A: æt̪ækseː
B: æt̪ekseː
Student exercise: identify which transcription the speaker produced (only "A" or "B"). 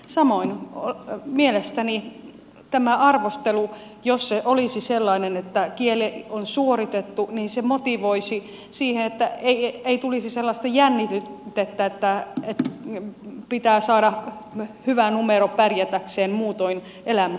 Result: A